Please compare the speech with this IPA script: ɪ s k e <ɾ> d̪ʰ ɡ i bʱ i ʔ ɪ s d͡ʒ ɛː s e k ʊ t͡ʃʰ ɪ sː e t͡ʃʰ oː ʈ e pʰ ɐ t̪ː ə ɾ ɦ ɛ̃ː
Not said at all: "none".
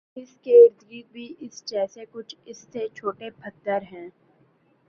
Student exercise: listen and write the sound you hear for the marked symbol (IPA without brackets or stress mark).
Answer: ɾ